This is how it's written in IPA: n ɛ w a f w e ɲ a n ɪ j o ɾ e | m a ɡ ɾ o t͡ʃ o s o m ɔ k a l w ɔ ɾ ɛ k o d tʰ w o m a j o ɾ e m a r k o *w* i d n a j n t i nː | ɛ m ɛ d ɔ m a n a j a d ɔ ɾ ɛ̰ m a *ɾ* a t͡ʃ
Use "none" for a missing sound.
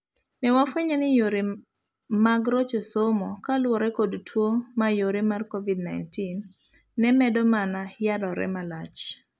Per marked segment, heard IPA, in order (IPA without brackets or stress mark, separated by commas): v, l